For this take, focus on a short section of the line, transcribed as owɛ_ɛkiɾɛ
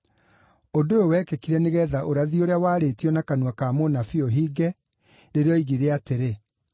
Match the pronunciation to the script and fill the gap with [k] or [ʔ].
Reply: k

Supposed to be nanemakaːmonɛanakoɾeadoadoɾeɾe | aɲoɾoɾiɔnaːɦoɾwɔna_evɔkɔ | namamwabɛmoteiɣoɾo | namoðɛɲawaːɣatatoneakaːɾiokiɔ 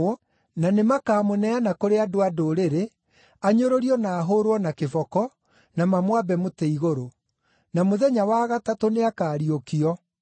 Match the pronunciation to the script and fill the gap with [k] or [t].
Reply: k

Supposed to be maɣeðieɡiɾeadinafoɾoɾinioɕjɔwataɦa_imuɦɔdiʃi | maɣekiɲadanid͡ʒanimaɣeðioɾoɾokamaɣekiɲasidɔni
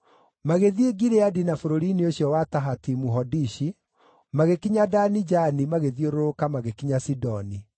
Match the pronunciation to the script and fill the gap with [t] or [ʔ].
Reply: t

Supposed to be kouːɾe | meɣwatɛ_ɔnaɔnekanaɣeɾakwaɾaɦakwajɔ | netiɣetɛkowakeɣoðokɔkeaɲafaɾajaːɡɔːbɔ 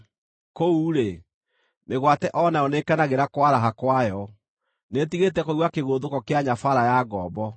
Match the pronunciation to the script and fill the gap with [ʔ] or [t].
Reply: ʔ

